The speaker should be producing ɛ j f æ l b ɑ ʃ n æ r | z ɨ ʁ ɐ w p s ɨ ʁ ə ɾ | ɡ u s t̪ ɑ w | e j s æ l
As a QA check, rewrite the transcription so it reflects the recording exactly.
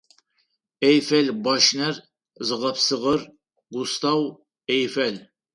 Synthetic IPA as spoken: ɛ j f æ l b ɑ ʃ n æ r | z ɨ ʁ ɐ p s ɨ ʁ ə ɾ | ɡ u s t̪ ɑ w | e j f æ l